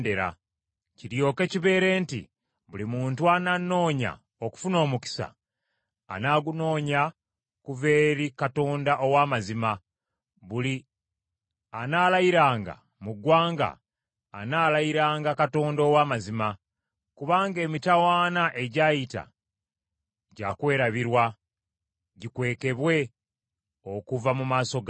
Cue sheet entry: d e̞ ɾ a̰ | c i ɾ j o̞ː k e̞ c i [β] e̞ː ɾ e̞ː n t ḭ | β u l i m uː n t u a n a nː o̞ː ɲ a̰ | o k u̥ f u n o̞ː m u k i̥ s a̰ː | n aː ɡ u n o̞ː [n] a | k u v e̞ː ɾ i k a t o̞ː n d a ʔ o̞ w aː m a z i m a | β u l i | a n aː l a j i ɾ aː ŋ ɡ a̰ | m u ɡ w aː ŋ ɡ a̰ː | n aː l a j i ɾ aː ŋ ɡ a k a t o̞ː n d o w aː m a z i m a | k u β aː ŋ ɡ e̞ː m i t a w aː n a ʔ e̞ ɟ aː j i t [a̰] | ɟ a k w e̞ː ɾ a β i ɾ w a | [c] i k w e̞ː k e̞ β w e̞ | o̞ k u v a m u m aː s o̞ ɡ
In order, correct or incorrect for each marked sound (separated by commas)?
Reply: correct, incorrect, correct, incorrect